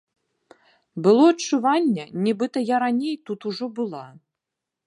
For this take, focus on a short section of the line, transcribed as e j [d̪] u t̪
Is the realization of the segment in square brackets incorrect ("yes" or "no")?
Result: yes